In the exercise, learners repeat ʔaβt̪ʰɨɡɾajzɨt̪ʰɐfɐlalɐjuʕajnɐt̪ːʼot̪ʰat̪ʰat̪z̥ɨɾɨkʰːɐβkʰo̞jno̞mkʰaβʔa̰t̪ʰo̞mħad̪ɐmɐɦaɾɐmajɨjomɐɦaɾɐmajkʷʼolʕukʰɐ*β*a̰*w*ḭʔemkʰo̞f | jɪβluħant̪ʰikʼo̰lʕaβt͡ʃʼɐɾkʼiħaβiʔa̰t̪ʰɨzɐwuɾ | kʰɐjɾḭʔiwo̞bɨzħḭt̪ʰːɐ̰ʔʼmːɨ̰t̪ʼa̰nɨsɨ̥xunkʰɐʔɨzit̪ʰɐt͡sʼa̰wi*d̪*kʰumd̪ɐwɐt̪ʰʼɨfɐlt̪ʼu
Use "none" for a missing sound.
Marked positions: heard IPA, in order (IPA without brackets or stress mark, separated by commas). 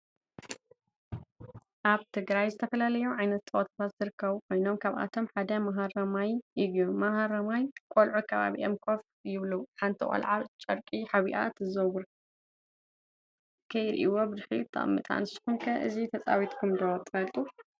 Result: β, β, t̪